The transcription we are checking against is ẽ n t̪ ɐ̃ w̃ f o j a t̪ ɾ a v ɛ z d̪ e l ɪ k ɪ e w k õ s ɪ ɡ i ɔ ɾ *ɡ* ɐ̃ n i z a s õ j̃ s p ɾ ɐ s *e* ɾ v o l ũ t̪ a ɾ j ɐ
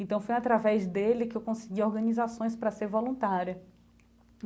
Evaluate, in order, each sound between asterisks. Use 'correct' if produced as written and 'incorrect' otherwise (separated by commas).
correct, correct